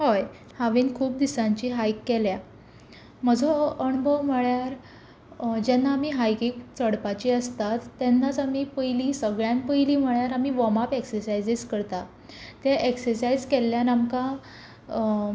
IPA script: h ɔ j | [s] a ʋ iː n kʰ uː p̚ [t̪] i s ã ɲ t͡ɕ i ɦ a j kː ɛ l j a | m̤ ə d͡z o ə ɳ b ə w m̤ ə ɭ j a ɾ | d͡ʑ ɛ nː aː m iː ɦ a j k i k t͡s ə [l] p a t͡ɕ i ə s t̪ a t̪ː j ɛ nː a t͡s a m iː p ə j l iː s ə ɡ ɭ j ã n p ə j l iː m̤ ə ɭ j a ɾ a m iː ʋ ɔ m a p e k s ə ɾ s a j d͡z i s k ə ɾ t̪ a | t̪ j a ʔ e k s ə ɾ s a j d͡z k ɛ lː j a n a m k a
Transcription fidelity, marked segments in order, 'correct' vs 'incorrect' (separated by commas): incorrect, incorrect, incorrect